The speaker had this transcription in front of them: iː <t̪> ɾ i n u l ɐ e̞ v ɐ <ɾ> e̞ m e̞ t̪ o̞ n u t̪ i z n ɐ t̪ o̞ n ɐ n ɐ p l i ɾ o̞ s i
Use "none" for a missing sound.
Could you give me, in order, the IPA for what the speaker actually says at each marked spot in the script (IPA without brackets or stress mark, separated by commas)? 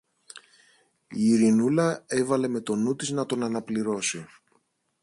none, l